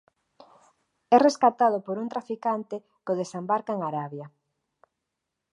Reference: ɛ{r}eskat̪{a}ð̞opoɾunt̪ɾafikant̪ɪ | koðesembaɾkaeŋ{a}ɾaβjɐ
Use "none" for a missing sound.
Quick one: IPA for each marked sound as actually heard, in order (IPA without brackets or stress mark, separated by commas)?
r, a, a